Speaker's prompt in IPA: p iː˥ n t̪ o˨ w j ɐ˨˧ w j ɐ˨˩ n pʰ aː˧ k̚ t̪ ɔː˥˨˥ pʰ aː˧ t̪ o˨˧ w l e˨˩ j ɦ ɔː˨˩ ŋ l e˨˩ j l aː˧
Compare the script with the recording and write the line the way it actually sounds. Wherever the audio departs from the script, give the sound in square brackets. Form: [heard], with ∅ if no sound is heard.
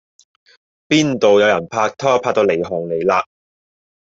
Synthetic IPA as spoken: p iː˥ n t̪ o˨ w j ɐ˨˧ w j ɐ˨˩ n pʰ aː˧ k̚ [t̪ʰ] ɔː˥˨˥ pʰ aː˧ t̪ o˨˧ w l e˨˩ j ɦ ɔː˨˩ ŋ l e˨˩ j l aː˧

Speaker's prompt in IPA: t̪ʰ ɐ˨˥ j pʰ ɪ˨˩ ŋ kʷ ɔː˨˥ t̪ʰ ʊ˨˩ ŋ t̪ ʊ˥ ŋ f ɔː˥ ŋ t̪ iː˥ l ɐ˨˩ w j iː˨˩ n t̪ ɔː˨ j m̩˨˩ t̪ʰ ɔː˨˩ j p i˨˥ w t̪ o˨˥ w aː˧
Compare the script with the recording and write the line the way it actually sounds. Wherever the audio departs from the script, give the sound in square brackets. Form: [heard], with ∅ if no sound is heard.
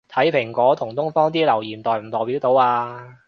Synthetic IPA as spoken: t̪ʰ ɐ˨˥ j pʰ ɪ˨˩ ŋ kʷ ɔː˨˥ t̪ʰ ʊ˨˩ ŋ t̪ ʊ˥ ŋ f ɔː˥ ŋ t̪ iː˥ l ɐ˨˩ w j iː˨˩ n t̪ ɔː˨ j m̩˨˩ [t̪] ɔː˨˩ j p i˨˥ w t̪ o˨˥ w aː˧

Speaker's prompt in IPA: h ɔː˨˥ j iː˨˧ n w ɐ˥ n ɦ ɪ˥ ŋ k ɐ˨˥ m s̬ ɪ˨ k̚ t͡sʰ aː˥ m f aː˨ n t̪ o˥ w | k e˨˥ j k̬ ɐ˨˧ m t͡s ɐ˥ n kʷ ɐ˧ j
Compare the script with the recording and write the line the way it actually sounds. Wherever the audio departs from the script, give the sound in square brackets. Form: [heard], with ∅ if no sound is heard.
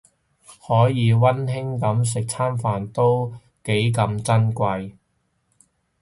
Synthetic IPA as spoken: h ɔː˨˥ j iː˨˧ [∅] w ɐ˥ n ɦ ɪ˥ ŋ k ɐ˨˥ m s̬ ɪ˨ k̚ t͡sʰ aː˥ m f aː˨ n t̪ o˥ w | k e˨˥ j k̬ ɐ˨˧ m t͡s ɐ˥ n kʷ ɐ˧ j

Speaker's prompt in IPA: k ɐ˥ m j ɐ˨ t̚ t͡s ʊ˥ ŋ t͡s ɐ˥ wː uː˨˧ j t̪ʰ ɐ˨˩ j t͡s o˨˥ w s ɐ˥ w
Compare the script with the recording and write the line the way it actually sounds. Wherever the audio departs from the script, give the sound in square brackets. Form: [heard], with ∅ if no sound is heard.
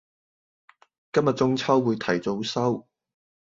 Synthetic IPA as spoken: k ɐ˥ m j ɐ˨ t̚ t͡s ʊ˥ ŋ [t͡sʰ] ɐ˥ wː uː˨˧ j t̪ʰ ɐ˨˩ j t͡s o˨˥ w s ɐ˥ w

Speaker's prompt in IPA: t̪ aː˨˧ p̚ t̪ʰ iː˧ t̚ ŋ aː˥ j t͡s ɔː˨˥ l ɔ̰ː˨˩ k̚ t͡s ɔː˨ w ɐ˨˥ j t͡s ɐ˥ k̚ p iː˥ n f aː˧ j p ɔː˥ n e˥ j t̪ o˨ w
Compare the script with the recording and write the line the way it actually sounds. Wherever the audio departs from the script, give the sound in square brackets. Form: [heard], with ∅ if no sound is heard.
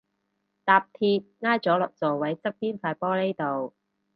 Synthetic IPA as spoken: t̪ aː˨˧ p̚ t̪ʰ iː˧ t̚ ŋ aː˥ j t͡s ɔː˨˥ l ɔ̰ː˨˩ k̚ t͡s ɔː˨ w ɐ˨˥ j t͡s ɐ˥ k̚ p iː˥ n f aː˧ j p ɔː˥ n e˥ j t̪ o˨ w

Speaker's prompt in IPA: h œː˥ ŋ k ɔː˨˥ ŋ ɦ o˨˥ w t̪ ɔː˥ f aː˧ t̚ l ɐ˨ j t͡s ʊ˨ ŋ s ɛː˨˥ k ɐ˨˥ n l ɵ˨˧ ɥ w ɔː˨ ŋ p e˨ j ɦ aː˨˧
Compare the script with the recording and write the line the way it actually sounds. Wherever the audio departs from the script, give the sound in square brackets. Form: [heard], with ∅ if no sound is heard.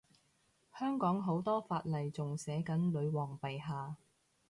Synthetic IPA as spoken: h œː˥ ŋ k ɔː˨˥ ŋ ɦ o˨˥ w t̪ ɔː˥ f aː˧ t̚ l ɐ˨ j t͡s ʊ˨ ŋ s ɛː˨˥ k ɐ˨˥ n l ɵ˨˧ ɥ w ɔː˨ ŋ p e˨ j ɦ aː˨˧

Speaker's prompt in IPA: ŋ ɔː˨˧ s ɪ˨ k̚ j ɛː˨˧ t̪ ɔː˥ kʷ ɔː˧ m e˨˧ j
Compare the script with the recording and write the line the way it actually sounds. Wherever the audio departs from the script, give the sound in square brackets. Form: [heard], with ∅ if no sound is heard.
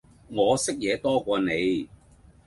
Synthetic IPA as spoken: ŋ ɔː˨˧ s [ɪ˥] k̚ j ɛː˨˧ t̪ ɔː˥ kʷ ɔː˧ [n] e˨˧ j

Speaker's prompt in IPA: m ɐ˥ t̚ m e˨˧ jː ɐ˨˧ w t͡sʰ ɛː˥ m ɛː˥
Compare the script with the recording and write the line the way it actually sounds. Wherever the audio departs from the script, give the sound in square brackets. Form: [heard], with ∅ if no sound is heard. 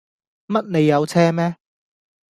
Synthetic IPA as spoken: m ɐ˥ t̚ [n] e˨˧ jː ɐ˨˧ w t͡sʰ ɛː˥ m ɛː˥

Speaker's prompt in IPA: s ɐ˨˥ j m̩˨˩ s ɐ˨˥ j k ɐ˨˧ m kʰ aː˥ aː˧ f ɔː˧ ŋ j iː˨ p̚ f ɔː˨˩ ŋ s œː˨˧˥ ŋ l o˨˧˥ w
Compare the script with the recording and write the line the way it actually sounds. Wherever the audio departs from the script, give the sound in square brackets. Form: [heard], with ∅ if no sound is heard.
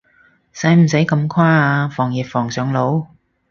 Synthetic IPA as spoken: s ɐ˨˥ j m̩˨˩ s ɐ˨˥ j k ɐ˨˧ m kʰ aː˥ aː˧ f [ɔː˨˩] ŋ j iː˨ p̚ f ɔː˨˩ ŋ s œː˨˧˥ ŋ l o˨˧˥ w

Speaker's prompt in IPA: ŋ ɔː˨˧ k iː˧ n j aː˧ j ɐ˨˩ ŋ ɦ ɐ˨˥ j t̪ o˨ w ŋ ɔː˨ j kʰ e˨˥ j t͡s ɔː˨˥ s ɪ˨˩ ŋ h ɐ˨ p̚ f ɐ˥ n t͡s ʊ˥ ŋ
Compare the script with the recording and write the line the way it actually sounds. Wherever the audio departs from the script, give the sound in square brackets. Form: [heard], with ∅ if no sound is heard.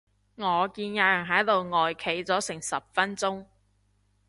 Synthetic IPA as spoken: ŋ ɔː˨˧ k iː˧ n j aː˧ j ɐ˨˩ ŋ ɦ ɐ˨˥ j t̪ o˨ w ŋ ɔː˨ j kʰ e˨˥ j t͡s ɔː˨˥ s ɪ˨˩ ŋ [s] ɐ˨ p̚ f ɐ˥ n t͡s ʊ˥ ŋ

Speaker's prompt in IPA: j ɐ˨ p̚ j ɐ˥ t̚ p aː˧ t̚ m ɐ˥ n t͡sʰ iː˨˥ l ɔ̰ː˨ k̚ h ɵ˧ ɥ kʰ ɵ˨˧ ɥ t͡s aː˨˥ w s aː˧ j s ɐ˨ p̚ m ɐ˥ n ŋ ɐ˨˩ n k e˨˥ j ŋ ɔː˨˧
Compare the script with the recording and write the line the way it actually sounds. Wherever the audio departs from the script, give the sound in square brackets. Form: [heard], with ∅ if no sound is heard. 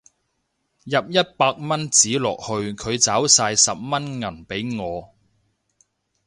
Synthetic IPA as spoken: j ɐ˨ p̚ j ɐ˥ t̚ p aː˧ [k̚] m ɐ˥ n [t͡s] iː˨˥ l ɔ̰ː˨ k̚ h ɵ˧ ɥ kʰ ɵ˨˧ ɥ t͡s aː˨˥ w s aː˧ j s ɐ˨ p̚ m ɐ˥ n ŋ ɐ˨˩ n [p] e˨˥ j ŋ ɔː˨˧

